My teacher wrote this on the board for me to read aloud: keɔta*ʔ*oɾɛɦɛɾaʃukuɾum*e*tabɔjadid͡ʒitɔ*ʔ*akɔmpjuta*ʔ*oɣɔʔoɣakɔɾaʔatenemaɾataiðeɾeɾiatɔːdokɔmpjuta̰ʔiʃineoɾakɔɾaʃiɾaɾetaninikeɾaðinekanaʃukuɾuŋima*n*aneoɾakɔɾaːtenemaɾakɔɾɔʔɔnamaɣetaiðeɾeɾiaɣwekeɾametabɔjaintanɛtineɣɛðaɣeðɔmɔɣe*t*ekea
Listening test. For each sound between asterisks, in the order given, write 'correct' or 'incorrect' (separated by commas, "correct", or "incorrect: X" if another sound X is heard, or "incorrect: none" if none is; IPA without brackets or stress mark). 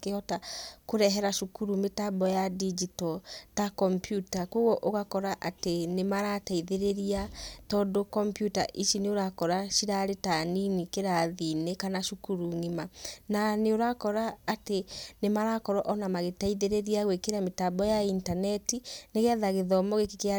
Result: incorrect: k, correct, incorrect: t, incorrect: k, correct, incorrect: k